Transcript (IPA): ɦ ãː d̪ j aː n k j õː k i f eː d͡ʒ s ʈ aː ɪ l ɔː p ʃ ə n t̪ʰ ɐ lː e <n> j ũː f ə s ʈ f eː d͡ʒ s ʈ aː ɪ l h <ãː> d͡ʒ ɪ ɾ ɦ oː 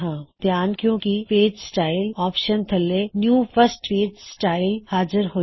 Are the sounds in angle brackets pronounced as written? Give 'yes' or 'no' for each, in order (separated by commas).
yes, no